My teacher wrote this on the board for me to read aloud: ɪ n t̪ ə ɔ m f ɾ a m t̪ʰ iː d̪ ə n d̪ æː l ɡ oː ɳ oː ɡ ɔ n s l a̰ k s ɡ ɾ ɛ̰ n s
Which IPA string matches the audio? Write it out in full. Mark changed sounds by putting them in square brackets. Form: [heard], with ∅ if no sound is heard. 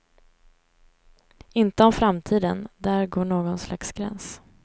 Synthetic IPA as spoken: ɪ n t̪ ə ɔ m f ɾ a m t̪ʰ iː d̪ ə n d̪ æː [ɾ] ɡ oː ɳ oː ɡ ɔ n s l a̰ k s ɡ ɾ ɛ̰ n s